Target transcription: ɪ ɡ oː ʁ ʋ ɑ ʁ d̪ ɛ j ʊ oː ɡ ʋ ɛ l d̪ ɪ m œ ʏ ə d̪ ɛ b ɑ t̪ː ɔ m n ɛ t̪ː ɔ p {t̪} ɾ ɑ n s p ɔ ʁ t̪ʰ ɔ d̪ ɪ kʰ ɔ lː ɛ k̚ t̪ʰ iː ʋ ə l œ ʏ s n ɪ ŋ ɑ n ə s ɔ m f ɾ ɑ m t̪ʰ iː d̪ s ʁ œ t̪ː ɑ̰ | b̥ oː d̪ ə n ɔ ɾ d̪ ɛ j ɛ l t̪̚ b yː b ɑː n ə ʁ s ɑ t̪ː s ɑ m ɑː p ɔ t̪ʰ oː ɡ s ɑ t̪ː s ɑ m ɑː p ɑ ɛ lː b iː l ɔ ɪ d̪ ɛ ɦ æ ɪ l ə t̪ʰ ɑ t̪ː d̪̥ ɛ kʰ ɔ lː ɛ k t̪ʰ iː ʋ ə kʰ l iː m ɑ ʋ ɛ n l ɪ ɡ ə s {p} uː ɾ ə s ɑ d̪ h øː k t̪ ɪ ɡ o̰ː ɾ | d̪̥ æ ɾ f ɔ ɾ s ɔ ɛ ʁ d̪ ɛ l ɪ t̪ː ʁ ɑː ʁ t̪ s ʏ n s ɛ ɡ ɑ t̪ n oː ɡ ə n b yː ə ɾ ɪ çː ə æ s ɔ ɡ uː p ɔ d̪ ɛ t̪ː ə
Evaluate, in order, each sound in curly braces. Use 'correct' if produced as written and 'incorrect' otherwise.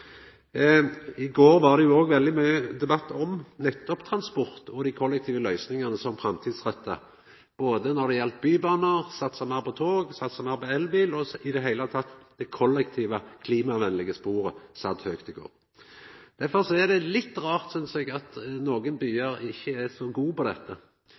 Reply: incorrect, correct

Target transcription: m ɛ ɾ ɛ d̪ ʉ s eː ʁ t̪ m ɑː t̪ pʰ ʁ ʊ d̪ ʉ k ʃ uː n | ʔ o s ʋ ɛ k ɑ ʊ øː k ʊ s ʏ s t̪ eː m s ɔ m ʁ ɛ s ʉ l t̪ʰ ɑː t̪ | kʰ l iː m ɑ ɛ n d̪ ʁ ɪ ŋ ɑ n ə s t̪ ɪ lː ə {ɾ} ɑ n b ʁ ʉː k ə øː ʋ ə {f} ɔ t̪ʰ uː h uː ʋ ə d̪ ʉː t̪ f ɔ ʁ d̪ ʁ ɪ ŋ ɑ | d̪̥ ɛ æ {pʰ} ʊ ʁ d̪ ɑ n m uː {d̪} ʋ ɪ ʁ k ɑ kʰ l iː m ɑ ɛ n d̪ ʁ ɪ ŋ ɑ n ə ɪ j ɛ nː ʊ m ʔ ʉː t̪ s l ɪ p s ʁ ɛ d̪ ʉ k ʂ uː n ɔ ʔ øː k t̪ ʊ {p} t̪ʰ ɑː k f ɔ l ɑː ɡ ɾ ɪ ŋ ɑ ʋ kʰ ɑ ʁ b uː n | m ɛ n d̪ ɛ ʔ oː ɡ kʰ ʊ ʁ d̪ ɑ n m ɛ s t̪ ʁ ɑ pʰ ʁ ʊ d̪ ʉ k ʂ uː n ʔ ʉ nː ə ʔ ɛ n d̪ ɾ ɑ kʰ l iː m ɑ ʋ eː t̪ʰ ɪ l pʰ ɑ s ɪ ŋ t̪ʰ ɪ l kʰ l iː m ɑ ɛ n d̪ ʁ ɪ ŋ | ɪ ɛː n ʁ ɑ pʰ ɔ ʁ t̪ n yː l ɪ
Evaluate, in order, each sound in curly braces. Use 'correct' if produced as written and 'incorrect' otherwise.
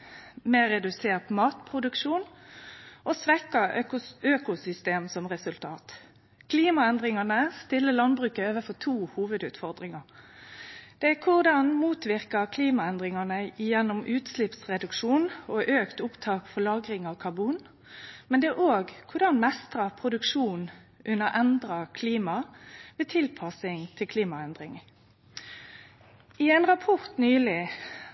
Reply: incorrect, correct, incorrect, incorrect, correct

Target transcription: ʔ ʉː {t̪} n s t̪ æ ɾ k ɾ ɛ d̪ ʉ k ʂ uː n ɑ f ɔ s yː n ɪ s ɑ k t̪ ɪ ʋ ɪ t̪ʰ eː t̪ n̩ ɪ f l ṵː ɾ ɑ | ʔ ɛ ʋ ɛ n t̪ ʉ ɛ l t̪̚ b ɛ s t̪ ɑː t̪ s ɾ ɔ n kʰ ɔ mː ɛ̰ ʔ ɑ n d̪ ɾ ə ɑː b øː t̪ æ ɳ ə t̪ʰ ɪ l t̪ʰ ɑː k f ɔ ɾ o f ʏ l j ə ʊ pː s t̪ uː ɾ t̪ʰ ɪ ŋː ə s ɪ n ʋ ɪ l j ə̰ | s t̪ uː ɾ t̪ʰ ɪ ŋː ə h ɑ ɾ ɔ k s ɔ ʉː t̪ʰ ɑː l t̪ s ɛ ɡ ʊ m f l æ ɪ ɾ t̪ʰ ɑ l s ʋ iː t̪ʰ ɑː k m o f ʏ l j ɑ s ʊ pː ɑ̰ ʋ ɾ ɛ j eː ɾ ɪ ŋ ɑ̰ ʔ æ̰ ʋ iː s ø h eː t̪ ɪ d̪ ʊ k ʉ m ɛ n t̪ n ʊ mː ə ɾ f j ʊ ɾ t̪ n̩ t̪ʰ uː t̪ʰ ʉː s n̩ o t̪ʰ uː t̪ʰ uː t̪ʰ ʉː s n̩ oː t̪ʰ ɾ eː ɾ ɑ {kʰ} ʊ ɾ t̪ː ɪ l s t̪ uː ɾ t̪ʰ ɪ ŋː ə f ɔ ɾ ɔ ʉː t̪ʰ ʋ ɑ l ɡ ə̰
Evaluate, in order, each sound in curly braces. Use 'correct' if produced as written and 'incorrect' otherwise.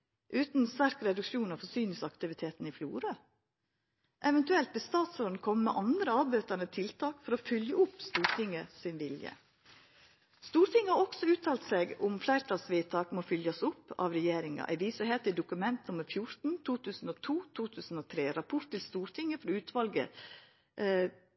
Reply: correct, incorrect

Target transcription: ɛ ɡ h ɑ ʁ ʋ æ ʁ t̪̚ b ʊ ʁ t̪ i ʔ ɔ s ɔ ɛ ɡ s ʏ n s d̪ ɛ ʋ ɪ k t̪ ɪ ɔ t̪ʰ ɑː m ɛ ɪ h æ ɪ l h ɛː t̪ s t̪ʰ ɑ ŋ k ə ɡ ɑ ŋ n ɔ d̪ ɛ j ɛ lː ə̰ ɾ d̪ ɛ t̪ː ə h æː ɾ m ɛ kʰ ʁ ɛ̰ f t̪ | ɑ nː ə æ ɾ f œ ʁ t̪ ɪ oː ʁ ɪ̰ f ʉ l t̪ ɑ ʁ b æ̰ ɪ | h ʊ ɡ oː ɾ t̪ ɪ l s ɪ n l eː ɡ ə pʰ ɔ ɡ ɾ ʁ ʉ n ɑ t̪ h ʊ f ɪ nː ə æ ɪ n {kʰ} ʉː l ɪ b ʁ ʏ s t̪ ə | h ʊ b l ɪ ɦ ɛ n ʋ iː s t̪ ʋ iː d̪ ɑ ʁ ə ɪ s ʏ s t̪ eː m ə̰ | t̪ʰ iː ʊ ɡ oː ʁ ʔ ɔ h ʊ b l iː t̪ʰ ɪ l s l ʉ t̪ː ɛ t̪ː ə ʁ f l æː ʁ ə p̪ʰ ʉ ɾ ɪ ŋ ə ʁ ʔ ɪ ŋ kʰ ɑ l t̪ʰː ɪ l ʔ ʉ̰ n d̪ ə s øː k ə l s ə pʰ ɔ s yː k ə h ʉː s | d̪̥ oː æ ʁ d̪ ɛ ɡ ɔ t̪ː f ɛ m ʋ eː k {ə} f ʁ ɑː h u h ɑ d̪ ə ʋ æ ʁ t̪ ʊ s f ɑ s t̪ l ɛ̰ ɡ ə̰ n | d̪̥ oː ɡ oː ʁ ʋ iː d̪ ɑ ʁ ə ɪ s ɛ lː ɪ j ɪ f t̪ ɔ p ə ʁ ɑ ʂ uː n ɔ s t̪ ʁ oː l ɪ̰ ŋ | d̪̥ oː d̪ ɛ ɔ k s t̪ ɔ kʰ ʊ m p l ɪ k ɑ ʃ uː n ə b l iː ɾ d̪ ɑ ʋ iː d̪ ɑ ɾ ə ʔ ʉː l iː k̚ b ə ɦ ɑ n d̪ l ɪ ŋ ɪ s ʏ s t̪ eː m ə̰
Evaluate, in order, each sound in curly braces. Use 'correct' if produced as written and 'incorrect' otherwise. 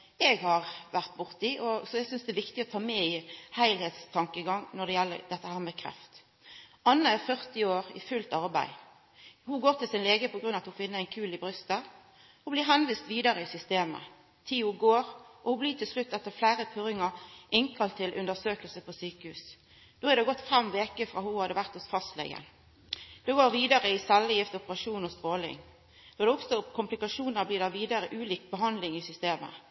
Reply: correct, correct

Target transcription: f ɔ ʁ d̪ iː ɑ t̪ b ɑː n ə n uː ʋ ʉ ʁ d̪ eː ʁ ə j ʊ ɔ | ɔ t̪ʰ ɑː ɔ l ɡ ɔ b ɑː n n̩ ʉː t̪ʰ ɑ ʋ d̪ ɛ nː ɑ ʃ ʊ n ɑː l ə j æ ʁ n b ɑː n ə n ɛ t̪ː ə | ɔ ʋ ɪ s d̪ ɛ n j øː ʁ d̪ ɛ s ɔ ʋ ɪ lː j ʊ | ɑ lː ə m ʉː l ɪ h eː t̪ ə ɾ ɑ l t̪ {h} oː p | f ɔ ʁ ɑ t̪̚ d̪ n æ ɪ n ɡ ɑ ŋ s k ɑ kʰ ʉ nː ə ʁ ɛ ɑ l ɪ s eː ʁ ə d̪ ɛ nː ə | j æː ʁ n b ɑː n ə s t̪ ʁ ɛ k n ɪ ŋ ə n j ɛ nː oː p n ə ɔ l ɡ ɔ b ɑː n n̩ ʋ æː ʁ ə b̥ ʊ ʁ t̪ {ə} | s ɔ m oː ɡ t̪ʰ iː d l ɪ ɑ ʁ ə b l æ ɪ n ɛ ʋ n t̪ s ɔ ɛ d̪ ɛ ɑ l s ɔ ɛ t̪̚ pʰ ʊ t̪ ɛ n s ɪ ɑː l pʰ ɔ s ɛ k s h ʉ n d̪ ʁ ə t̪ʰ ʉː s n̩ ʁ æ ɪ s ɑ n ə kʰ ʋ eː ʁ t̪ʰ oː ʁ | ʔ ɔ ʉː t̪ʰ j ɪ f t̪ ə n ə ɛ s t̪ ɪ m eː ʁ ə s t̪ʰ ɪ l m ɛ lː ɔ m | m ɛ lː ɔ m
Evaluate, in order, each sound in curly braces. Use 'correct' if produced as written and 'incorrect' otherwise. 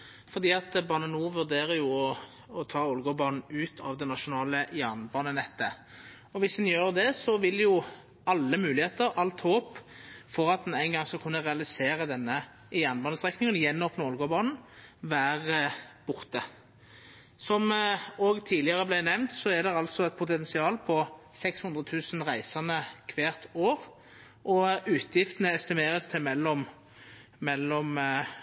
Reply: correct, correct

